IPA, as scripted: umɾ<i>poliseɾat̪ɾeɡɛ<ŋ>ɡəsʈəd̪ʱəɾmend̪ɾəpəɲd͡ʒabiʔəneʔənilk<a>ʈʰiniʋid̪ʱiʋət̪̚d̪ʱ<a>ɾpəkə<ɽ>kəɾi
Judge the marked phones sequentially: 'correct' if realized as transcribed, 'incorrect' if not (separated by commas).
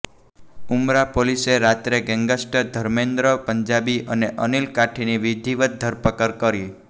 incorrect, correct, correct, incorrect, incorrect